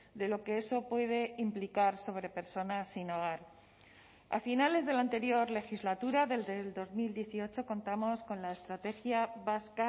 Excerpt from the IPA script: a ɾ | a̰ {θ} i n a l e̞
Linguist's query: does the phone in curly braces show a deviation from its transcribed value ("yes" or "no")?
yes